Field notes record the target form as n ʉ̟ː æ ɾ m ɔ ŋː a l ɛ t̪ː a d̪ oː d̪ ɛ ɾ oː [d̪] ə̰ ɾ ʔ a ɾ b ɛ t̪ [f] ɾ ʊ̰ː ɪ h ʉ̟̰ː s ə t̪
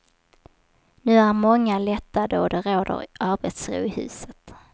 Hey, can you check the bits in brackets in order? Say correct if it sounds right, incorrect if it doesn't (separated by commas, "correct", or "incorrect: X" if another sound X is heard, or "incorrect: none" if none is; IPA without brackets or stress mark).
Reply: correct, incorrect: s